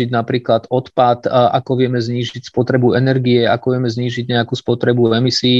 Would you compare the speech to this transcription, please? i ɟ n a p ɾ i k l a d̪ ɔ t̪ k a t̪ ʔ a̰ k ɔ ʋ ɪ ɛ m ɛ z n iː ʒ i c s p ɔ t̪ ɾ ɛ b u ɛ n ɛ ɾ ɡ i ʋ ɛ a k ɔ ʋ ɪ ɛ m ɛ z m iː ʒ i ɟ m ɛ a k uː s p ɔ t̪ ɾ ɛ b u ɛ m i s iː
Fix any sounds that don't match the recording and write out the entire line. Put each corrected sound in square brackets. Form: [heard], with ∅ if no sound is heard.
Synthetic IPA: i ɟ n a p ɾ [iː] k l a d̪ ɔ t̪ [p] a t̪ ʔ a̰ k ɔ ʋ ɪ ɛ m ɛ z [ɲ] iː ʒ i c s p ɔ t̪ ɾ ɛ b u ɛ n ɛ ɾ ɡ i [∅] ɛ a k ɔ ʋ ɪ ɛ m ɛ z [ɲ] iː ʒ i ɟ [ɲ] ɛ a k uː s p ɔ t̪ ɾ ɛ b u ɛ m i s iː